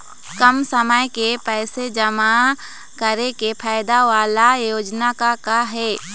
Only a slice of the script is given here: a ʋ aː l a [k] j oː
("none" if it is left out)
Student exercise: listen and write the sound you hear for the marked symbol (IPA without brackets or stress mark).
none